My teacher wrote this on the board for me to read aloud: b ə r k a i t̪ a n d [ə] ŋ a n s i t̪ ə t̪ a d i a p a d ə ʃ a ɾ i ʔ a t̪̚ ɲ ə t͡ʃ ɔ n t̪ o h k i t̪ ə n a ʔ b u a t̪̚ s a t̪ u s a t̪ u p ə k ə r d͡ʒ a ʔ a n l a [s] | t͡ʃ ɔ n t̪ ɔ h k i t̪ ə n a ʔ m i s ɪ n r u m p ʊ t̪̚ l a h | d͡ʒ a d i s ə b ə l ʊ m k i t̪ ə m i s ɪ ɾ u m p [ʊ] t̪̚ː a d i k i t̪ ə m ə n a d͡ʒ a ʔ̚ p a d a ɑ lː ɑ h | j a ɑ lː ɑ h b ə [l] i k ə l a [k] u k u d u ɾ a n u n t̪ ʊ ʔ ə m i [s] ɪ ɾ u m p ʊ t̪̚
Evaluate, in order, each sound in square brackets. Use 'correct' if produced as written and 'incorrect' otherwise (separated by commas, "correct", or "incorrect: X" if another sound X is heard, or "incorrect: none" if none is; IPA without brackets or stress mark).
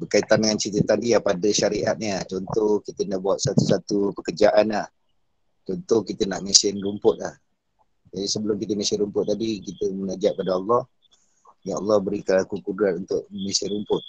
correct, incorrect: h, correct, incorrect: ɾ, correct, correct